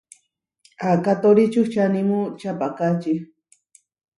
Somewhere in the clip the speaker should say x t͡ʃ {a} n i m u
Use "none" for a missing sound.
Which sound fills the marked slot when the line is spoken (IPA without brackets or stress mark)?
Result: a